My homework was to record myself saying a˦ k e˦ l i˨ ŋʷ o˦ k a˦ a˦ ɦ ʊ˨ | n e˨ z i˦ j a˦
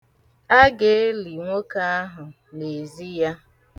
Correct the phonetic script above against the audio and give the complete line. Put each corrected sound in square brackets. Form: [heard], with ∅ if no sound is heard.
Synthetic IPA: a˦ [ɡ] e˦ l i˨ ŋʷ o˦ k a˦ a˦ ɦ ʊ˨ | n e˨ z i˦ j a˦